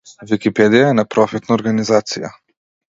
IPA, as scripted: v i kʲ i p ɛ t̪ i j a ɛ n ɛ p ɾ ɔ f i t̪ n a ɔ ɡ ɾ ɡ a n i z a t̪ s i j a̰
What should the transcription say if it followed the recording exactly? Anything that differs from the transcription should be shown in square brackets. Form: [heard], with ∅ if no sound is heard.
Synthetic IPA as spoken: v i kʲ i p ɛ [d̪] i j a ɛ n [a] p ɾ ɔ f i t̪ n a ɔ [∅] ɾ ɡ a n i z a t̪ s i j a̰